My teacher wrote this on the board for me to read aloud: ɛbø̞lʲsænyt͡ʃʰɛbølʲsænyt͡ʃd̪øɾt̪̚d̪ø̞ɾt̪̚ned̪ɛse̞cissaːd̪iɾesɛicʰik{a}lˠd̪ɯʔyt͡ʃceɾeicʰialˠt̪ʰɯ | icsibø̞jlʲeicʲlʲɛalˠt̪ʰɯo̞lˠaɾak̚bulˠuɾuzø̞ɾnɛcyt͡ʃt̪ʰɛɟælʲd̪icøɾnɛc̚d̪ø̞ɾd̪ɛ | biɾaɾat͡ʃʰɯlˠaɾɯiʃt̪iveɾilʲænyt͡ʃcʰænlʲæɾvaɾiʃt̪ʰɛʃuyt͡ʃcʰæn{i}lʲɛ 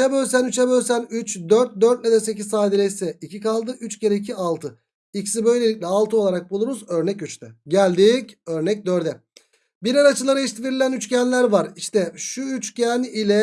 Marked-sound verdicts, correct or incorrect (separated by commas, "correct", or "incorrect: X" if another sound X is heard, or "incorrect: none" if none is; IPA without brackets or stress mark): correct, correct